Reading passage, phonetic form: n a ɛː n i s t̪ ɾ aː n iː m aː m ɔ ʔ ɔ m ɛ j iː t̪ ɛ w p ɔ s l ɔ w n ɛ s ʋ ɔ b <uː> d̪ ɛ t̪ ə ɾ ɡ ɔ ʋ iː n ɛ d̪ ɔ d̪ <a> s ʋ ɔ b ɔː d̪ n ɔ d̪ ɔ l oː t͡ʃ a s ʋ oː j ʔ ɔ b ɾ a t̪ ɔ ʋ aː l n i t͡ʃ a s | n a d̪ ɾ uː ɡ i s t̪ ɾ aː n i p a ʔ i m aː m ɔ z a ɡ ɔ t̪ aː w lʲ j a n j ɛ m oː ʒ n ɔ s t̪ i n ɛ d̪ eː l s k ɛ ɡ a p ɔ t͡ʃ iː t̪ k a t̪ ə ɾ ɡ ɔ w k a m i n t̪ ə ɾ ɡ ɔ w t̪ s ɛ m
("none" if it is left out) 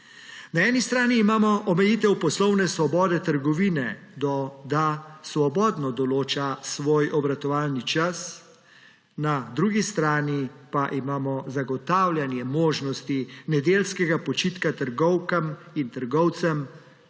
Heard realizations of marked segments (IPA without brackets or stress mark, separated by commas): ɔː, a